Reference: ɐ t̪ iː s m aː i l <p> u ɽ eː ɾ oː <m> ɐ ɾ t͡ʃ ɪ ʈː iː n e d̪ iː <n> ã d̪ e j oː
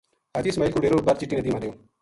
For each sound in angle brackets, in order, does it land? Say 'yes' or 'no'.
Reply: no, no, no

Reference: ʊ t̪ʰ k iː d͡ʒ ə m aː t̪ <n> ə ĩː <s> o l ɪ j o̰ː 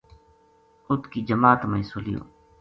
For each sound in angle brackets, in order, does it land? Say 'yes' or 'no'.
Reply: no, yes

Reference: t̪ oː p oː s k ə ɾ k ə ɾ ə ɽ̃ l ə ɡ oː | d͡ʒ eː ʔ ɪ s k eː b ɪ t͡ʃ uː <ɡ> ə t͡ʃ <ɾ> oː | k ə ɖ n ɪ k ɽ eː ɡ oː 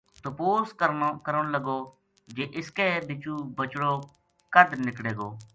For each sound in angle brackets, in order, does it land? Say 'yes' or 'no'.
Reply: no, no

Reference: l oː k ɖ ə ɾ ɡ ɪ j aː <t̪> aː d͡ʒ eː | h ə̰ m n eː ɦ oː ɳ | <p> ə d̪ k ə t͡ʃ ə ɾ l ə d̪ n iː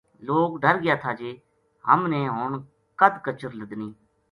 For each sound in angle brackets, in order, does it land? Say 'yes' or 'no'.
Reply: no, no

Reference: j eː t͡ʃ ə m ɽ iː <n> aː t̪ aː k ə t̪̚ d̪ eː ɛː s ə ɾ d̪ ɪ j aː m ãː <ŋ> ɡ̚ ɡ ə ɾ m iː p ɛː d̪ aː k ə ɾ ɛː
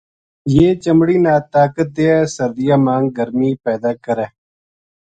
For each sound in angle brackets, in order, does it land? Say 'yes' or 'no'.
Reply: yes, yes

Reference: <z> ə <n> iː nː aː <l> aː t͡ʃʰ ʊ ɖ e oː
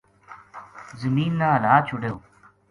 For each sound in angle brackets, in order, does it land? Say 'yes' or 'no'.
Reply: yes, no, yes

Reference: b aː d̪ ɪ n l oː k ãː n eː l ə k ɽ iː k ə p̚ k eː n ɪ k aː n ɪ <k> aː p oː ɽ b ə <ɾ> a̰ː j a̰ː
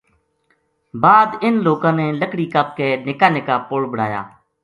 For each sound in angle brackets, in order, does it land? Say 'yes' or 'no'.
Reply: yes, no

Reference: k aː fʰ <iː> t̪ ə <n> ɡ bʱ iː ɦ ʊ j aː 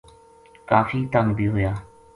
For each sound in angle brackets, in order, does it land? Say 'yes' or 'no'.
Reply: yes, no

